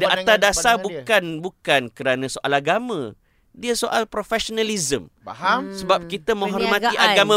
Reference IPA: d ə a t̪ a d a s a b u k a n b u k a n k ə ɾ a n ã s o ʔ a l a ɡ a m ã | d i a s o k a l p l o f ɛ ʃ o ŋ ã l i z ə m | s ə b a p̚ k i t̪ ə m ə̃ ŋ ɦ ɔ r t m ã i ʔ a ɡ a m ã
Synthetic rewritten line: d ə a t̪ a d a s a b u k a n b u k a n k ə ɾ a n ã s o ʔ a l a ɡ a m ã | d i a s o ʔ a l p ɾ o f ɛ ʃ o n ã l i z ə m | s ə b a p̚ k i t̪ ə m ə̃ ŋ ɦ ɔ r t m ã i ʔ a ɡ a m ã